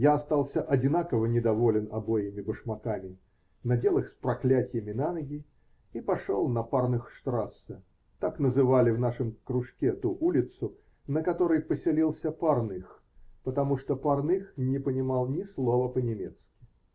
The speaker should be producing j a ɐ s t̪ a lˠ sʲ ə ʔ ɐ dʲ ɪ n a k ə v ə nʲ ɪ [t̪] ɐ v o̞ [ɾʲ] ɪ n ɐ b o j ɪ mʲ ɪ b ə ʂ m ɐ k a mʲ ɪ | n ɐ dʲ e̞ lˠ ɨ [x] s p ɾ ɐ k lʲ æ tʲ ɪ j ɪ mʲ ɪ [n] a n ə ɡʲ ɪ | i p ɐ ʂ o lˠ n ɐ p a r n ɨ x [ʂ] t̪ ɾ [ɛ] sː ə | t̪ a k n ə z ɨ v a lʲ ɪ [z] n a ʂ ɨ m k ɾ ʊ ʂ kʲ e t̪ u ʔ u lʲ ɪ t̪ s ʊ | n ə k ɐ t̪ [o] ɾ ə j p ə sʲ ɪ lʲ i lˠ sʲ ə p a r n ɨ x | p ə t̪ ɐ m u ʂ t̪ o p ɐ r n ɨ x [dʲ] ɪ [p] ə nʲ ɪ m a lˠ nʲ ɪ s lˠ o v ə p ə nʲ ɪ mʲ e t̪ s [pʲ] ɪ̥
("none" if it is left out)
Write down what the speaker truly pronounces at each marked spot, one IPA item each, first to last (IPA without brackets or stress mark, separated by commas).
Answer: d̪, lʲ, x, n, ʂ, a, v, o, nʲ, p, kʲ